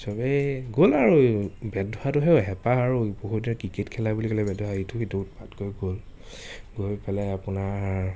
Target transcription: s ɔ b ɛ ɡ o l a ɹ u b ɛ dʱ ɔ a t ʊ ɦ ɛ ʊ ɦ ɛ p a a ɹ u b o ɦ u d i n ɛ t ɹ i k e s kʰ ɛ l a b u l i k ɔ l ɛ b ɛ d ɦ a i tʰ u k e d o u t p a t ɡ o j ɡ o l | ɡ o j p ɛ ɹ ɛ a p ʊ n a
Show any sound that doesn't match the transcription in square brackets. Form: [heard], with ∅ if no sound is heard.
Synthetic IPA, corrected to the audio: s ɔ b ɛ ɡ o l a ɹ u b ɛ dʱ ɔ a t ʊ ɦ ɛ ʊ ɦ ɛ p a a ɹ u b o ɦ u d i n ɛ [k] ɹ i k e [t] kʰ ɛ l a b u l i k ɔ l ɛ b ɛ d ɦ a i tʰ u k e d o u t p a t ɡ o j ɡ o l | ɡ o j p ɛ [l] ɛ a p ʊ n a